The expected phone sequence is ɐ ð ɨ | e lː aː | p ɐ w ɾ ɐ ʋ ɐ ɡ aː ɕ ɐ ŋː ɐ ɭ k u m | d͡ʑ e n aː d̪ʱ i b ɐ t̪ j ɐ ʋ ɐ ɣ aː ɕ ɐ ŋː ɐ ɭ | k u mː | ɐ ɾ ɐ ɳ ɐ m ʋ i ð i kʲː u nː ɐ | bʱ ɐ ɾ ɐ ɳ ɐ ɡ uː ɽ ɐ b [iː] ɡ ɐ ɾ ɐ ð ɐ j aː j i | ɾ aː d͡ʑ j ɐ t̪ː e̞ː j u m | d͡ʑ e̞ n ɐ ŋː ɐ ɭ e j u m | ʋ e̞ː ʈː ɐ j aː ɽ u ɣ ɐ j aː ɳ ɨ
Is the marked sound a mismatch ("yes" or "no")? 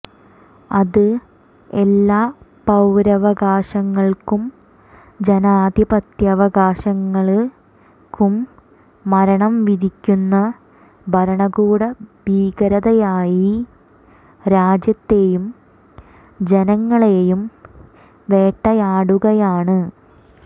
no